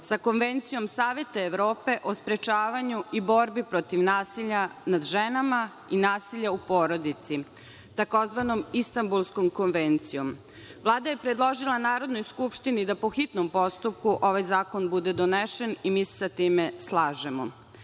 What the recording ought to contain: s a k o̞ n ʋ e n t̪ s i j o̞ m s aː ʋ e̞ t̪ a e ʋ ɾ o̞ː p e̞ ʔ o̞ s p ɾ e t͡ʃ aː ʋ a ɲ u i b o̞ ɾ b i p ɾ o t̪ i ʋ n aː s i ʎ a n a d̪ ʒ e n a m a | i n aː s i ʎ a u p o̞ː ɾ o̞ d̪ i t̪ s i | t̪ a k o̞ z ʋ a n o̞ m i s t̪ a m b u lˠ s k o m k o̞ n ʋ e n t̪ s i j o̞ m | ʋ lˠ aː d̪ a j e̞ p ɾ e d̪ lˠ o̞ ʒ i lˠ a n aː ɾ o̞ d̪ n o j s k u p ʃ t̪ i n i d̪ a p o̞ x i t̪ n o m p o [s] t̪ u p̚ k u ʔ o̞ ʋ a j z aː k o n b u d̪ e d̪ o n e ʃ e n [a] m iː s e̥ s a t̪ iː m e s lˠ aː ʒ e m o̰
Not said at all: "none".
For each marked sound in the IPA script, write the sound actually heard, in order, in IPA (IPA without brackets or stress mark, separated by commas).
s, i